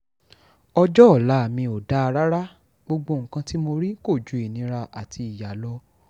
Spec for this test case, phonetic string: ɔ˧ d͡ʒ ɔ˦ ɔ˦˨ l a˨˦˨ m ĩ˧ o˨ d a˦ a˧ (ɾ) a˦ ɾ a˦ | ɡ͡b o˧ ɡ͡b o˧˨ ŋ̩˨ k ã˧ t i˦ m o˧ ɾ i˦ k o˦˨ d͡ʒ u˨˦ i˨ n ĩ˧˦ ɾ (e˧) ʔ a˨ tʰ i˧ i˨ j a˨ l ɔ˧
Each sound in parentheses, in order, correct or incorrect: correct, incorrect: a˧

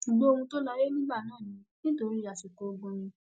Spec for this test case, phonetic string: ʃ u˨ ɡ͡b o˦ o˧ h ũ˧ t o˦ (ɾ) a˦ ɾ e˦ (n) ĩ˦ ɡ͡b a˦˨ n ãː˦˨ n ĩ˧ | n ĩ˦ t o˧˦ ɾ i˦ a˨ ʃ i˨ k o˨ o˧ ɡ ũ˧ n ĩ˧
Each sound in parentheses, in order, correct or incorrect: incorrect: l, correct

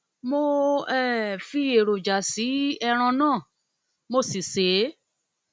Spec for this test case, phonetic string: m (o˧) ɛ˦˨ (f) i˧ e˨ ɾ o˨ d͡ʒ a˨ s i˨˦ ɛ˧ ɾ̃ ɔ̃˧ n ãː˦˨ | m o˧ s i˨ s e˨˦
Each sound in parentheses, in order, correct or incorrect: correct, correct

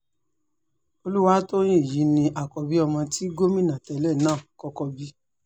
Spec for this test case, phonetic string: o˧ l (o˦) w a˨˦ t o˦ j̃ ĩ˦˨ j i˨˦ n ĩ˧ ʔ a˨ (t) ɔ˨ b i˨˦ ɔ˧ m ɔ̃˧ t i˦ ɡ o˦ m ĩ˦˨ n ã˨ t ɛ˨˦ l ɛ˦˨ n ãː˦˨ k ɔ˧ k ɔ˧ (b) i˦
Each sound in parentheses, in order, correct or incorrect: incorrect: u˦, incorrect: k, correct

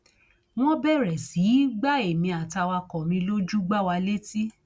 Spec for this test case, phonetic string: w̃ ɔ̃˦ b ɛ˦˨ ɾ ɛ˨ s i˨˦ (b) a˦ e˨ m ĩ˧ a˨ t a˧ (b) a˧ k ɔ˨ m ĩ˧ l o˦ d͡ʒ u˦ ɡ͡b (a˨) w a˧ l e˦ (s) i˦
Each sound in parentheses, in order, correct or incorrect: incorrect: ɡ͡b, incorrect: w, incorrect: a˦, incorrect: t

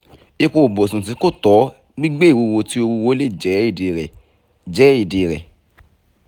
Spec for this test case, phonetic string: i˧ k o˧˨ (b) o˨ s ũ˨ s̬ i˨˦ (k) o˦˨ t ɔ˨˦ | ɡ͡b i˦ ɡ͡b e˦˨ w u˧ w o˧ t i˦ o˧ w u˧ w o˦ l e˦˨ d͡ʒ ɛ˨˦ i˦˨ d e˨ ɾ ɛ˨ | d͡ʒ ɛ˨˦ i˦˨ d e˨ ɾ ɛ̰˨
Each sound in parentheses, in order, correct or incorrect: correct, correct

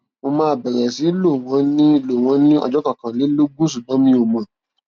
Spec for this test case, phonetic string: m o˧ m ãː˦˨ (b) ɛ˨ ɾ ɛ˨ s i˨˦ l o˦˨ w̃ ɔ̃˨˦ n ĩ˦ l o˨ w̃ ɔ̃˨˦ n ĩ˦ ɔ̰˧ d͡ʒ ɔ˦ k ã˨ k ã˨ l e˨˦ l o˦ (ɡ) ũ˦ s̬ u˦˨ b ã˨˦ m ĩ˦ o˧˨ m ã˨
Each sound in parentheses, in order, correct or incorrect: correct, correct

